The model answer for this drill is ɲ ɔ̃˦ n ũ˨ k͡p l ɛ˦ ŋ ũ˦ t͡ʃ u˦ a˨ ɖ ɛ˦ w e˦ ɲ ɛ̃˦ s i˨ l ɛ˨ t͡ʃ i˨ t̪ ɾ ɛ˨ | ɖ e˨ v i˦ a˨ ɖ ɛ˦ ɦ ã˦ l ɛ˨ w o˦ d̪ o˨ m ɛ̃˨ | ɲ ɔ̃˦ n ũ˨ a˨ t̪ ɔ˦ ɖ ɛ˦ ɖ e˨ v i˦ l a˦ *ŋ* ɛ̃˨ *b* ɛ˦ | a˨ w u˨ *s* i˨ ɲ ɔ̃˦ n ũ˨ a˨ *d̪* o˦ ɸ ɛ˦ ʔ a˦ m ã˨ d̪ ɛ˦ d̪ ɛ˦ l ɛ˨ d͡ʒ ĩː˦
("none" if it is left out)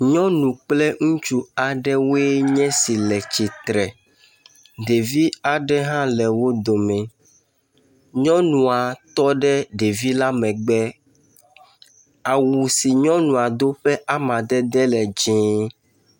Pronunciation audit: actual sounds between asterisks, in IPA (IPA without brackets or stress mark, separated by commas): m, ɡ͡b, s, d̪